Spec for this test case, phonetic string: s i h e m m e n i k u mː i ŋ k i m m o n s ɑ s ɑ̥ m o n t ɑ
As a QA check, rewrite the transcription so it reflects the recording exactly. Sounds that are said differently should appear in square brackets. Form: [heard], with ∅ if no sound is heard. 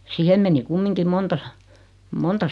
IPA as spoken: s i h e m m e n i k u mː i ŋ k i m m o n [t] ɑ s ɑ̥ m o n t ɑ